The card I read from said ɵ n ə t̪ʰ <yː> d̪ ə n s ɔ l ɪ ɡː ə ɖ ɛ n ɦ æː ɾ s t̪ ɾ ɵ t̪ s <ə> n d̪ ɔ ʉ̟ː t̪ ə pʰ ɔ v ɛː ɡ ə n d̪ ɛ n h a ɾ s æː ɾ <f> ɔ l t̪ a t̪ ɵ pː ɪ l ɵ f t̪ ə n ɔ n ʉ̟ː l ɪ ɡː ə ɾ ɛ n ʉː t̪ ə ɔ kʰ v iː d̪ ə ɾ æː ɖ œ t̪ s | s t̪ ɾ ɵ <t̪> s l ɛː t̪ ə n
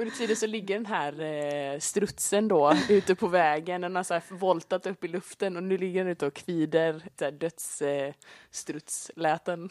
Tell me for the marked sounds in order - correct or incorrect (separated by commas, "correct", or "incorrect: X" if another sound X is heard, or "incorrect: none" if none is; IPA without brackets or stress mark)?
incorrect: iː, correct, incorrect: v, correct